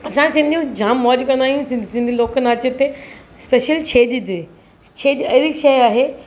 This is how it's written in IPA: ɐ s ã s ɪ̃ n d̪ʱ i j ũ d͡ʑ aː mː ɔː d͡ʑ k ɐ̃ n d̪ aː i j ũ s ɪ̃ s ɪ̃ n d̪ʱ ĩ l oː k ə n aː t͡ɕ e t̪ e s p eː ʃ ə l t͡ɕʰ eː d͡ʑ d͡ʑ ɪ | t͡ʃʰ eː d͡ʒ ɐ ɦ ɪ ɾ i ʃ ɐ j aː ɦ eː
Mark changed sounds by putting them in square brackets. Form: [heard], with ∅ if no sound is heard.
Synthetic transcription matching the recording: ɐ s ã s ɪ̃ n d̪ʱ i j ũ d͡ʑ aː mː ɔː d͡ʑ k ɐ̃ n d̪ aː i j ũ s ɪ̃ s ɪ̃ n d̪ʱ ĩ l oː k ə n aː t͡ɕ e t̪ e s p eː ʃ ə l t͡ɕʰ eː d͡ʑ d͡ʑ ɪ | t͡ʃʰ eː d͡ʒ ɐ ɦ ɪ ɾ i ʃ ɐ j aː ɦ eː